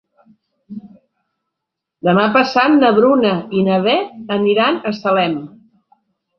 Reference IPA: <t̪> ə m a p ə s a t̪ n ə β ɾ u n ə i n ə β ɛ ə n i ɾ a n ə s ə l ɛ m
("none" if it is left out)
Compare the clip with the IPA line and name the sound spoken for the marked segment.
d̪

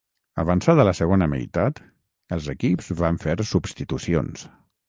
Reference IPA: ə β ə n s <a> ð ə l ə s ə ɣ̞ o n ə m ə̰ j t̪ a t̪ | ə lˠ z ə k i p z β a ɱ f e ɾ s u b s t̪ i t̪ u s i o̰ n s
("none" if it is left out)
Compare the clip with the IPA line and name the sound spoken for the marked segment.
a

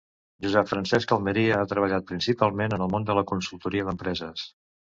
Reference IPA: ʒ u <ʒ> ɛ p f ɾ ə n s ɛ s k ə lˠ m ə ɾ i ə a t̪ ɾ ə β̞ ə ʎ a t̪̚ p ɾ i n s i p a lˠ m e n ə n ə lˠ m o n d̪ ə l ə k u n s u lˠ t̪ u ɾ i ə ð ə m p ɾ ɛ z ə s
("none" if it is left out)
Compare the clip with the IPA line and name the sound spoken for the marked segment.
z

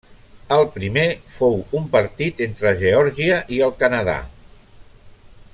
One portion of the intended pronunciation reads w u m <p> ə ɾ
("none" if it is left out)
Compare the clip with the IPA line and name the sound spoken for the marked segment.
p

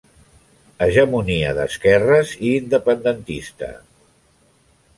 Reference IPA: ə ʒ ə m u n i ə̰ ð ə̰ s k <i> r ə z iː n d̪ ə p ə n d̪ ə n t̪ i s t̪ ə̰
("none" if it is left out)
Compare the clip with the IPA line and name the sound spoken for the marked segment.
ɛ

